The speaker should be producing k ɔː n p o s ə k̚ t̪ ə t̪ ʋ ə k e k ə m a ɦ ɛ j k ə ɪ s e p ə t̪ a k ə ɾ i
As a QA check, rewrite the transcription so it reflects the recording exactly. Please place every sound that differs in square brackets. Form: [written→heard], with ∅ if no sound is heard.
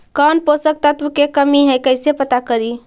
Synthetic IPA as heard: k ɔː n p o s ə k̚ t̪ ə t̪ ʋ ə k e k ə m [a→i] ɦ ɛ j k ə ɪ s e p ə t̪ a k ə ɾ i